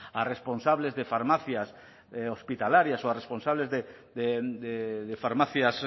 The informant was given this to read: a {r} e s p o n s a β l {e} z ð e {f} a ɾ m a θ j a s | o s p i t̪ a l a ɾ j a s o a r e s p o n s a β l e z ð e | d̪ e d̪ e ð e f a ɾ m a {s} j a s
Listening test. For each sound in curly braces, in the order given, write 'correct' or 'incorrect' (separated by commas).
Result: correct, correct, correct, incorrect